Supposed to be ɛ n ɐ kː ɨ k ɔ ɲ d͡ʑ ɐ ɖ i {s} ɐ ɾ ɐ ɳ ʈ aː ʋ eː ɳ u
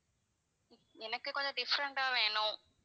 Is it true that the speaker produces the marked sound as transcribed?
no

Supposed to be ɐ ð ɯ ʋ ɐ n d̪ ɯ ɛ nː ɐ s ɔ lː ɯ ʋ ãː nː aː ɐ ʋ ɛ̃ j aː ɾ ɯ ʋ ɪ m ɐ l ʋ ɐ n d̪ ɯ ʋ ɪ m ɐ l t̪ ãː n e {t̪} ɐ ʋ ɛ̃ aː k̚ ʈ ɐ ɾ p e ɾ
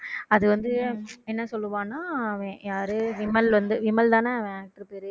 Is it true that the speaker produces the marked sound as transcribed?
no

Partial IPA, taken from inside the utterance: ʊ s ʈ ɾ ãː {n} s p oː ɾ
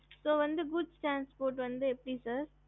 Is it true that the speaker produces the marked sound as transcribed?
yes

